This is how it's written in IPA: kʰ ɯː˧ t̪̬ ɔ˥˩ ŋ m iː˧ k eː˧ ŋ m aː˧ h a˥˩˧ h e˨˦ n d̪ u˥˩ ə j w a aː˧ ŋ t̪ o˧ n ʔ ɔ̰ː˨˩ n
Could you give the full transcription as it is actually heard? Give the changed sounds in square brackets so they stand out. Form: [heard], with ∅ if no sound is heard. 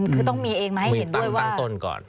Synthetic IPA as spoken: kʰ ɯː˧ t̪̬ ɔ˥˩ ŋ m iː˧ [ʔ] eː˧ ŋ m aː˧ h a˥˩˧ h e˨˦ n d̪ u˥˩ ə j w a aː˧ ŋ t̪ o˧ n [k] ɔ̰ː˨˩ n